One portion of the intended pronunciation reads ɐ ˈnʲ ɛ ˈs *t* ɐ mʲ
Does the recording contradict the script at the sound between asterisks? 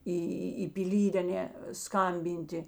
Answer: yes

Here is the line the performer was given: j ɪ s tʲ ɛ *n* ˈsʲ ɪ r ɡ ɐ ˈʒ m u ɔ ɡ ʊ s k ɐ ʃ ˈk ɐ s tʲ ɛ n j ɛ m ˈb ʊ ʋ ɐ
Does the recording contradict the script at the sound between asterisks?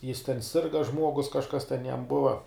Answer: no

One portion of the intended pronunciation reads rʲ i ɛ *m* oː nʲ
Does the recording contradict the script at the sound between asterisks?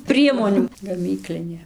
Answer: no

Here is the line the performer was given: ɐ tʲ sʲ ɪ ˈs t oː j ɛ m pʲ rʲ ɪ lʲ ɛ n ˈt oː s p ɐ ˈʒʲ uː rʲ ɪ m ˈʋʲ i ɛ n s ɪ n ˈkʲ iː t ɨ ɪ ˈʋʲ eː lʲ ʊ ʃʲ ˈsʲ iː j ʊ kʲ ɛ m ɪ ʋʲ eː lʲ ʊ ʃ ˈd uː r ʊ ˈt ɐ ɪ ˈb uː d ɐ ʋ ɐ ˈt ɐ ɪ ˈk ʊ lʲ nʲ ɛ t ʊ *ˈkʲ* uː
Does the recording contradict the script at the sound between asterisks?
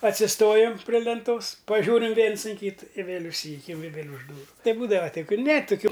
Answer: no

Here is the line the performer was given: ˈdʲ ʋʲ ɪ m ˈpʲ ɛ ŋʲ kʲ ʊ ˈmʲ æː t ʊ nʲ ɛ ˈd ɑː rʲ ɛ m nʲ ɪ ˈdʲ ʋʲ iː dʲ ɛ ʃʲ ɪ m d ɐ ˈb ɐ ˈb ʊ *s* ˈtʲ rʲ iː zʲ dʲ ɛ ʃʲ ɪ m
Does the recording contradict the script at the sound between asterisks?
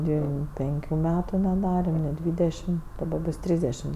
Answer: no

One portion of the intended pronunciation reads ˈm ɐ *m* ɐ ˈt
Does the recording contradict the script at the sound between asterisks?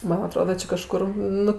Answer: yes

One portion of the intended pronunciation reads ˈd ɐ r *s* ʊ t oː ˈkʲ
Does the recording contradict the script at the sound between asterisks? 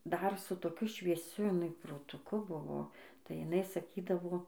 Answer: no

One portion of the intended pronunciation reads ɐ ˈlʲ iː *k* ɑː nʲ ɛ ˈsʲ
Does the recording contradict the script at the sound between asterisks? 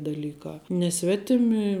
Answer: no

